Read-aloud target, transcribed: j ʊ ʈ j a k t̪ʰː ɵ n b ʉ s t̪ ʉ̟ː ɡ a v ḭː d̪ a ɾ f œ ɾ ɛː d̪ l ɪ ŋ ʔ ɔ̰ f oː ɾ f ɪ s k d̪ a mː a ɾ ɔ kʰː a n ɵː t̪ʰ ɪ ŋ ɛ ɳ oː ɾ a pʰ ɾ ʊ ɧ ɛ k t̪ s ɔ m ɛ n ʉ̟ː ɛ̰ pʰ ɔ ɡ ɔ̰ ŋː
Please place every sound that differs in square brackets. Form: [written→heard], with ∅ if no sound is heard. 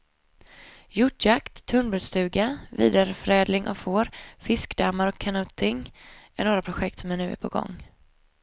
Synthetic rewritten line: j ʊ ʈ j a k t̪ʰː ɵ n b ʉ s t̪ ʉ̟ː ɡ a v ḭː d̪ a ɾ f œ ɾ ɛː d̪ l ɪ ŋ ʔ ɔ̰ f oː ɾ f ɪ s k d̪ a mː a ɾ ɔ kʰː a n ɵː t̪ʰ ɪ ŋ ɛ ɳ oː ɾ a pʰ ɾ ʊ ɧ ɛ k t̪ s ɔ m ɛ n ʉ̟ː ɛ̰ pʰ ɔ ɡ ɔ̰ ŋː